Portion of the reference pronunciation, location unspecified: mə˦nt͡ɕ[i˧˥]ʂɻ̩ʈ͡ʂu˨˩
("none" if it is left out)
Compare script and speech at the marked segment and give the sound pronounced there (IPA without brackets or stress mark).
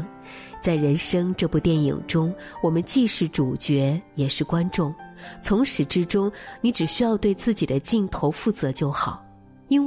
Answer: i˥˧